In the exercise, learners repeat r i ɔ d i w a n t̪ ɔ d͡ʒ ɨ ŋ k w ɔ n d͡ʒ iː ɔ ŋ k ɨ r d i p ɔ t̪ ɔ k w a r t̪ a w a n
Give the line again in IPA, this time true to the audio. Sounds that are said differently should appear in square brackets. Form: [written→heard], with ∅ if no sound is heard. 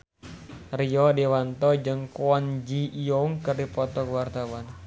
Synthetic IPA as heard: r i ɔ d i w a n t̪ ɔ d͡ʒ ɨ ŋ k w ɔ n d͡ʒ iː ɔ ŋ k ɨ r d i p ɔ t̪ ɔ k w a r t̪ a w a n